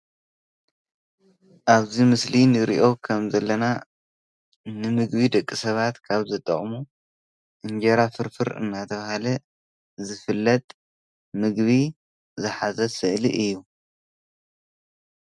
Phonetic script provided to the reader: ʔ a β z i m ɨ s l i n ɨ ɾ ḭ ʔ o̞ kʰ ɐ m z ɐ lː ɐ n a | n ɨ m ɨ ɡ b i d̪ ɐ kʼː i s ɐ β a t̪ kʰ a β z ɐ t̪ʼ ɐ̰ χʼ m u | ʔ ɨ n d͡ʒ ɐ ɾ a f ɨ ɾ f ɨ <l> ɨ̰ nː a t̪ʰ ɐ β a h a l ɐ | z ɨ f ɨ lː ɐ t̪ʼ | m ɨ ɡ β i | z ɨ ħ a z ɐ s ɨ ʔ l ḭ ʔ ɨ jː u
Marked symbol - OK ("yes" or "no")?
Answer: no